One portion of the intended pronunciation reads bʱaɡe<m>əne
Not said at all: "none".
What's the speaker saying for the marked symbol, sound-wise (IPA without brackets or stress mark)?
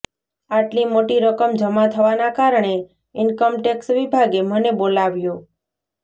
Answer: m